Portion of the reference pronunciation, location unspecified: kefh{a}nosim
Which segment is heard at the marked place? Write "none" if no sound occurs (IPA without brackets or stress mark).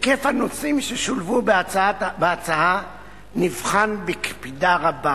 a